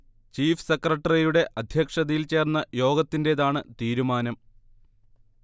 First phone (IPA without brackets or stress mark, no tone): t͡ɕ